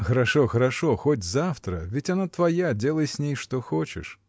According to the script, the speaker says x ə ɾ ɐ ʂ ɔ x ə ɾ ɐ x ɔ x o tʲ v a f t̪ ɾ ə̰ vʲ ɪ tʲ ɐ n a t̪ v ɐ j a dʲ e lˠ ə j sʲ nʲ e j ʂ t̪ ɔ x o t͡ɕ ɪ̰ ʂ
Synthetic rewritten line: x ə ɾ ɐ ʂ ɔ x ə ɾ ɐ ʂ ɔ x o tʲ z a f t̪ ɾ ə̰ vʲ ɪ tʲ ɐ n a t̪ v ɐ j a dʲ e lˠ ə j sʲ nʲ e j ʂ t̪ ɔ x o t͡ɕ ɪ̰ ʂ

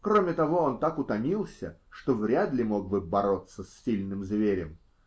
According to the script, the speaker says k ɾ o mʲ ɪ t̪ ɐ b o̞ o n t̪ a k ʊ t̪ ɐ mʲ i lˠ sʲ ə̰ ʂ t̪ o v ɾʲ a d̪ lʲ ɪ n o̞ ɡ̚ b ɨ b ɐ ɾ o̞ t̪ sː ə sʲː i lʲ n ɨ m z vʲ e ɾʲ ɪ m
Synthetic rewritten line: k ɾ o mʲ ɪ t̪ ɐ v o̞ o n t̪ a k ʊ t̪ ɐ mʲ i lˠ sʲ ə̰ ʂ t̪ o v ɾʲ a d̪ lʲ ɪ m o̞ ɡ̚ b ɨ b ɐ ɾ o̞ t̪ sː ə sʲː i lʲ n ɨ m z vʲ e ɾʲ ɪ m

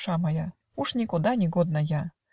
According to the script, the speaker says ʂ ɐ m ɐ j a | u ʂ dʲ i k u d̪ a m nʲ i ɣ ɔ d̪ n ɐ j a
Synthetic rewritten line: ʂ a m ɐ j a | u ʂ nʲ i k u d̪ a nʲ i ɣ ɔ d̪ n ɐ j a

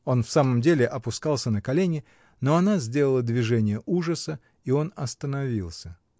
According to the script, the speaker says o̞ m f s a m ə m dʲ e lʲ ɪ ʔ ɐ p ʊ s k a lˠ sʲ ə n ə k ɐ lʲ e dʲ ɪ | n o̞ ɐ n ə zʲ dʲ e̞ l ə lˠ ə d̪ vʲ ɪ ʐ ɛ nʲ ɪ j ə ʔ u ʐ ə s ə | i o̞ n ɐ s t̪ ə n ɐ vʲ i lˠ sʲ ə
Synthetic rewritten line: o̞ n f s a m ə m dʲ e lʲ ɪ ʔ ɐ p ʊ s k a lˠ sʲ ə n ə k ɐ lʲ e nʲ ɪ | n o̞ ɐ n a zʲ dʲ e̞ l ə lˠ ə d̪ vʲ ɪ ʐ ɛ nʲ ɪ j ə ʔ u ʐ ə s ə | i o̞ n ɐ s t̪ ə n ɐ vʲ i lˠ sʲ ə

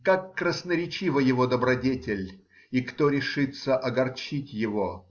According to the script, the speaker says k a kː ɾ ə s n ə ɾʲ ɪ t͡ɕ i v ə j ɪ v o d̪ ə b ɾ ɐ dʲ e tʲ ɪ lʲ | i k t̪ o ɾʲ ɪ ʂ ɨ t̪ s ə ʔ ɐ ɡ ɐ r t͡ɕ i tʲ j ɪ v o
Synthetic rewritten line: k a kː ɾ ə s n ə ɾʲ ɪ t͡ɕ i v ə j ɪ v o d̪ ə b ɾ ɐ dʲ e tʲ ɪ lʲ | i k t̪ o ɾʲ ɪ ʂ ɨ t̪ s ə ʔ ɐ ɡ ɐ r t͡ɕ i tʲ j ɪ v o

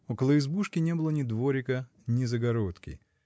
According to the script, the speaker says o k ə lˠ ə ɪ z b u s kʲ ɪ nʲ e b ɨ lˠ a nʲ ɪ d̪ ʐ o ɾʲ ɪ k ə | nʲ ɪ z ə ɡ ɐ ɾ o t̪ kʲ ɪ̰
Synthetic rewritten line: o k ə lˠ ə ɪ z b u ʂ kʲ ɪ nʲ e b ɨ lˠ ə nʲ ɪ d̪ v o ɾʲ ɪ k ə | nʲ ɪ z ə ɡ ɐ ɾ o t̪ kʲ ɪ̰

